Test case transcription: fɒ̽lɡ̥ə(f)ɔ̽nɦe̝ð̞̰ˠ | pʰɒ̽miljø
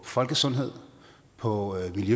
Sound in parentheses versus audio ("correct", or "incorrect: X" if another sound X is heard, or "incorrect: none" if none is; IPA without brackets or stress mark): incorrect: s